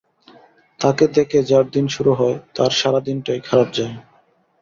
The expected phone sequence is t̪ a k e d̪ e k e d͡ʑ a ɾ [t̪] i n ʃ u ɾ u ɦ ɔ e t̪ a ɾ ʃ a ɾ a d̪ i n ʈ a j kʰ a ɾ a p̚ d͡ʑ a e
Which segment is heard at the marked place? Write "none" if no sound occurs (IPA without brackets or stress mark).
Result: d̪